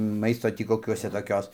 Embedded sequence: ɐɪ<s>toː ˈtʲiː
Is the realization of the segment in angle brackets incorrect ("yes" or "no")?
no